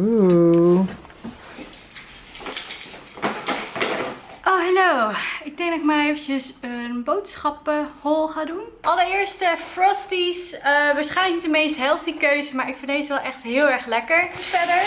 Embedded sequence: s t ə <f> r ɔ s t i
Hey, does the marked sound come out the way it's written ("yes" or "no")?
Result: yes